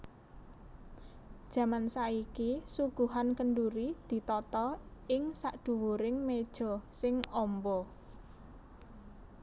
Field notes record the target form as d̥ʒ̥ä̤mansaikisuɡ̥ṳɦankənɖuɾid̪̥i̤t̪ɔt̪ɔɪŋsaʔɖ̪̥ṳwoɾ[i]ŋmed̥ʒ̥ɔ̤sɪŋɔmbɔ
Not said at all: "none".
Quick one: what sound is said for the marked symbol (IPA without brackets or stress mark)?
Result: ɪ